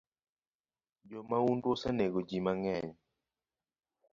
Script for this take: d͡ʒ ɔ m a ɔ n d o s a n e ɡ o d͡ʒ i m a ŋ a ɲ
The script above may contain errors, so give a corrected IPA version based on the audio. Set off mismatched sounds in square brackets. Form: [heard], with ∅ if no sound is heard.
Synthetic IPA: d͡ʒ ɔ m a [u] n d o s a n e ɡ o d͡ʒ i m a ŋ [ɛ] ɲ